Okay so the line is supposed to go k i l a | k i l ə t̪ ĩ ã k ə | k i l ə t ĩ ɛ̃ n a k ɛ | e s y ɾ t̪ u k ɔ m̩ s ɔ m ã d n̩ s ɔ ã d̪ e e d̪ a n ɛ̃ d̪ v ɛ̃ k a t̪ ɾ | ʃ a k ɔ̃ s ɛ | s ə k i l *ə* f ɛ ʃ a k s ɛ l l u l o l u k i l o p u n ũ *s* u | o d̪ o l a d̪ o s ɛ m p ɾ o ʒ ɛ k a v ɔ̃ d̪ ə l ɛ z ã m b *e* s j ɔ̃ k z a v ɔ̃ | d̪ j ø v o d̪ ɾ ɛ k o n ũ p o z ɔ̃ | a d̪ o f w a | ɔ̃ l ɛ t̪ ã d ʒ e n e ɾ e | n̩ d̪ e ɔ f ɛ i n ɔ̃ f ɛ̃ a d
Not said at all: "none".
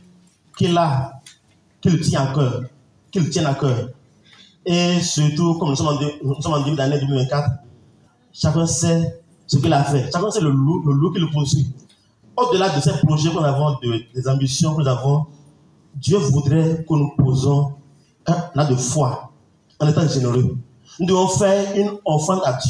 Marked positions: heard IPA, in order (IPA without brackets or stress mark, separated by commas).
a, s, i